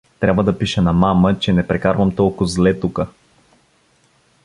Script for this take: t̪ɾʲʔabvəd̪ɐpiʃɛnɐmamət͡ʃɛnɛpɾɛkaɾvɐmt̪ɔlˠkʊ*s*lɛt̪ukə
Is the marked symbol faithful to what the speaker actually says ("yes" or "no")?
no